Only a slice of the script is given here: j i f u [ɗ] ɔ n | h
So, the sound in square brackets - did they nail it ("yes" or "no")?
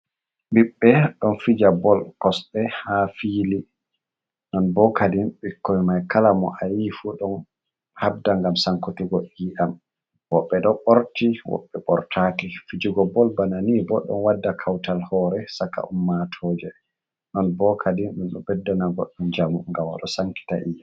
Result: yes